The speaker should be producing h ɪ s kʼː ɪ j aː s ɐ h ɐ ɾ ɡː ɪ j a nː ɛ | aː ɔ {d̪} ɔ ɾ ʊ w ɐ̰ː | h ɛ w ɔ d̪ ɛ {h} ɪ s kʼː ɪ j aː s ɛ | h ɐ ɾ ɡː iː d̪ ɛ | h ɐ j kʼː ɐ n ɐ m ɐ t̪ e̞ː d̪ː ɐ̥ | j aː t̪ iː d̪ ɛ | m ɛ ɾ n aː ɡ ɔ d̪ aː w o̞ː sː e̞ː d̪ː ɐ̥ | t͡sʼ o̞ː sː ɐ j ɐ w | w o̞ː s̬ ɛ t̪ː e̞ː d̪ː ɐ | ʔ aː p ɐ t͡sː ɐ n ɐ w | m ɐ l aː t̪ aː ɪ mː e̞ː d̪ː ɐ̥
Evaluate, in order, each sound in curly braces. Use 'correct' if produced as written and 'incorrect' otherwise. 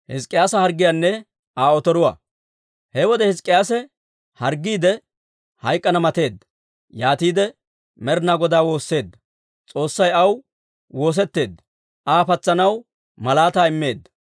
incorrect: t̪, correct

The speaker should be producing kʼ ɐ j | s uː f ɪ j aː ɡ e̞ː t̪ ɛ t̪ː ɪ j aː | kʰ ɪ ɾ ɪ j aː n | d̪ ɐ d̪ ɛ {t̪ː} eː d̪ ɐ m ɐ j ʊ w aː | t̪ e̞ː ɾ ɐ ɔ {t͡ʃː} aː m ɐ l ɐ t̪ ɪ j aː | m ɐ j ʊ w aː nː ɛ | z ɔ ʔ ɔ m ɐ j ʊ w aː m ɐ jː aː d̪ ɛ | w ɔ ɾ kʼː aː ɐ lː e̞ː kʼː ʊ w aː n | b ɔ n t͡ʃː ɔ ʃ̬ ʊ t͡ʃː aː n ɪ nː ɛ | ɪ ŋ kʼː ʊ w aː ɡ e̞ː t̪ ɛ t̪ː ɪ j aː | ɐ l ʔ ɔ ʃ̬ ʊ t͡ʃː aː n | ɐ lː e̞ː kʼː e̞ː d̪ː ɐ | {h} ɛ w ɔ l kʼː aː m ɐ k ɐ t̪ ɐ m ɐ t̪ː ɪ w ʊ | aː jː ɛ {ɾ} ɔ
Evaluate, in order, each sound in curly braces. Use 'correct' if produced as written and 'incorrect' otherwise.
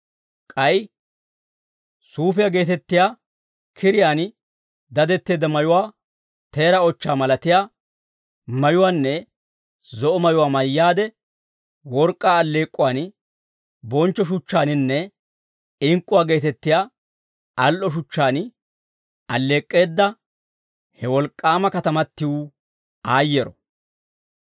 correct, correct, correct, correct

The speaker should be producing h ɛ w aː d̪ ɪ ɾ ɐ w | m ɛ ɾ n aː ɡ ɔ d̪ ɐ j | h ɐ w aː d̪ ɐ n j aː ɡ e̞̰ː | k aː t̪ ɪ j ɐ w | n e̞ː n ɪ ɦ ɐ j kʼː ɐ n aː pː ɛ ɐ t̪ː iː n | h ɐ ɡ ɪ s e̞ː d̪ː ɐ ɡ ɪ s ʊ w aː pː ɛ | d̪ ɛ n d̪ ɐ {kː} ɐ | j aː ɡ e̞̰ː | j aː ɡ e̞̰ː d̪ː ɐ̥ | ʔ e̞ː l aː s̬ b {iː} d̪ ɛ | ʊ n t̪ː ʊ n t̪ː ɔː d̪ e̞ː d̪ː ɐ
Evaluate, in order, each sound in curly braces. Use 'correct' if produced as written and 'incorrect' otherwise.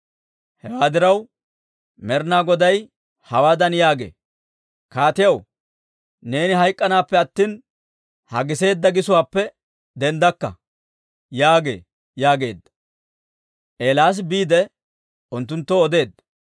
correct, correct

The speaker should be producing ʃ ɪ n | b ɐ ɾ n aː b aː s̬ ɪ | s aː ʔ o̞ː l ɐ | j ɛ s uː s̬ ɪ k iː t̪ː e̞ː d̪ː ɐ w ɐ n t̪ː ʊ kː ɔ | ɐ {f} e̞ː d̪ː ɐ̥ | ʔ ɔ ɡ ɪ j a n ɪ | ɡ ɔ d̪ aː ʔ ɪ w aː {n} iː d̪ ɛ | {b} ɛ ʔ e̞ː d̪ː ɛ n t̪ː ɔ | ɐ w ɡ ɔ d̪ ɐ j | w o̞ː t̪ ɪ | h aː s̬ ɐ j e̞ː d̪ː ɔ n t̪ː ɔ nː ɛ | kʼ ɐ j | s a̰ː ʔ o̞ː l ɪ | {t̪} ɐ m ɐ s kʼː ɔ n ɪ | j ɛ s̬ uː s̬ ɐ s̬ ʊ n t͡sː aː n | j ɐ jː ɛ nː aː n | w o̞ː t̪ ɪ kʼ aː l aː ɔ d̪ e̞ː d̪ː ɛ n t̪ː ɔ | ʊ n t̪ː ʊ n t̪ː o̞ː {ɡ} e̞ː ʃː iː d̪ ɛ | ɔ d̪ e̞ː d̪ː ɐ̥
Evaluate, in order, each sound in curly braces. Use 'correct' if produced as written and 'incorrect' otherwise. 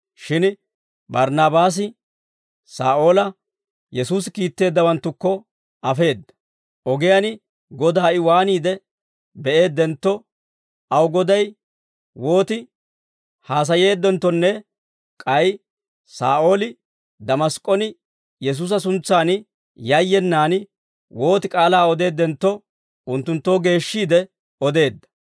correct, correct, correct, incorrect: d̪, correct

